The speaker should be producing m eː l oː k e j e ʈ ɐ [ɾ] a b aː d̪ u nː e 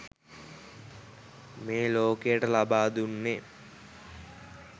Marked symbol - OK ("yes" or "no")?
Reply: no